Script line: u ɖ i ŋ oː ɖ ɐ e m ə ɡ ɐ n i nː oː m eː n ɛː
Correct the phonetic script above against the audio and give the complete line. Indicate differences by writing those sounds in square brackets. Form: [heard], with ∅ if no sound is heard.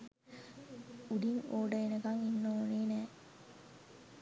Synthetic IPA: u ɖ i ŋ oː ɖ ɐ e [n] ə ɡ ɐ [ŋ] i nː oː [n] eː n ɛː